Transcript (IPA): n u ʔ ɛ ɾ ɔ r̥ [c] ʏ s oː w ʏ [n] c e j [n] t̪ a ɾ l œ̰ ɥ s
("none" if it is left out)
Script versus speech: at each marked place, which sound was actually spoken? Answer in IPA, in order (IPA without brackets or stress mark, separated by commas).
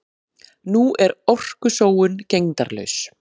k, n, ŋ